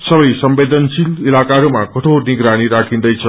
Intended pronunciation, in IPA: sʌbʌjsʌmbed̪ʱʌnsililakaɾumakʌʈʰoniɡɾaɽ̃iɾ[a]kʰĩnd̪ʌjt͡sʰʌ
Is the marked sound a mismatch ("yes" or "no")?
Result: no